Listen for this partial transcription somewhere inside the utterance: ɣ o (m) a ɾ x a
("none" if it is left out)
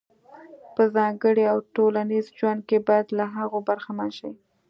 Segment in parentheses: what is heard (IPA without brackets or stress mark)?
b